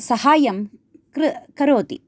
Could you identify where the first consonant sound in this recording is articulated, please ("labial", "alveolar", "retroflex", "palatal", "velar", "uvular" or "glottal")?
alveolar